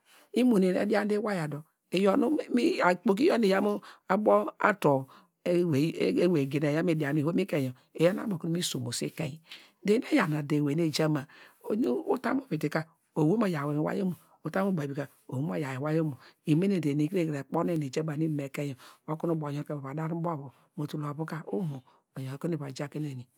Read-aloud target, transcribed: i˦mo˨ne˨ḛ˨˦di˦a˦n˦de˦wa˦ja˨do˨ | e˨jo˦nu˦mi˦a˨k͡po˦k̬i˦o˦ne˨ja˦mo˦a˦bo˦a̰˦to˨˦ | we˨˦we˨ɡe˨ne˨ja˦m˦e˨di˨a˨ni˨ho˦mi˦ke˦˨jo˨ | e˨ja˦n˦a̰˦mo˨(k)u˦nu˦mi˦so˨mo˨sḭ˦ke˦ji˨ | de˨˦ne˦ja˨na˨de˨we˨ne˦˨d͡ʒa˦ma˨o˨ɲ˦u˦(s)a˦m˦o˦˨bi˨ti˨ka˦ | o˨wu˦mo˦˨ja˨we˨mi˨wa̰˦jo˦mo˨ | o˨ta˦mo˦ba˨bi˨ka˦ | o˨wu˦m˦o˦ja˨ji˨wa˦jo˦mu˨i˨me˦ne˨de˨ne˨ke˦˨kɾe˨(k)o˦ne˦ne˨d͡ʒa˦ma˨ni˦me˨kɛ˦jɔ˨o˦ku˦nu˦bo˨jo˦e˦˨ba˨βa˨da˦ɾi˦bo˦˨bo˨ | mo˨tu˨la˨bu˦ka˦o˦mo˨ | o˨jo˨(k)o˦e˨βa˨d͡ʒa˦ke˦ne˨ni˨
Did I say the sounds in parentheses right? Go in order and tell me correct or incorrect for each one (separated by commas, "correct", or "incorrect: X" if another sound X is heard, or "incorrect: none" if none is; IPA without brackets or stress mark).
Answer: correct, incorrect: t, incorrect: k͡p, correct